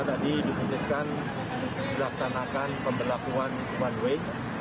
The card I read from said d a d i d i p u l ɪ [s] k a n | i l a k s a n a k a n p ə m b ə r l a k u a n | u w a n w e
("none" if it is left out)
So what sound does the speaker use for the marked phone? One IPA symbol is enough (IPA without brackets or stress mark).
s